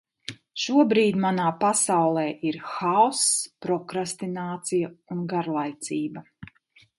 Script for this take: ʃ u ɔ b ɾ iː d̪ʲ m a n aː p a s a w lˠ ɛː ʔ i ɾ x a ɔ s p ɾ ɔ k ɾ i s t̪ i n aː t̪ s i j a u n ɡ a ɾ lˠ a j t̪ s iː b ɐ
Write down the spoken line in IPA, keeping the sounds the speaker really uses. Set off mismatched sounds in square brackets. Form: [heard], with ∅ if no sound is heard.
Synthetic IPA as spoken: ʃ u ɔ b ɾ iː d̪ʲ m a n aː p a s a w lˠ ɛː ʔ i ɾ x a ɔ s p ɾ ɔ k ɾ [a] s t̪ i n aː t̪ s i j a u n ɡ a ɾ lˠ a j t̪ s iː b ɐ